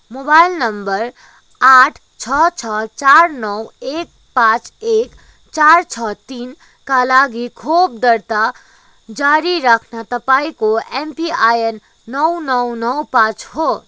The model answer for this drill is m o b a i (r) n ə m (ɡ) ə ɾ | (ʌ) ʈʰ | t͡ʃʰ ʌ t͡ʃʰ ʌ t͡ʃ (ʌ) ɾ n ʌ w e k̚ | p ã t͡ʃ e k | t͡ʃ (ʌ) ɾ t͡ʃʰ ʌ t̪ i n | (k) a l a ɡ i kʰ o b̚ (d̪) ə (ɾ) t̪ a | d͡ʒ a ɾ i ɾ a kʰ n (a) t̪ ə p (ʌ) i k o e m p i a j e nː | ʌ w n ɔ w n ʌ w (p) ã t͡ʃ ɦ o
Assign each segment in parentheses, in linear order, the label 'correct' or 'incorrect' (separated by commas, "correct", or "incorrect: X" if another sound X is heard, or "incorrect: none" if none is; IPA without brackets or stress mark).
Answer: incorrect: l, incorrect: b, incorrect: a, incorrect: a, incorrect: a, correct, correct, correct, correct, incorrect: a, correct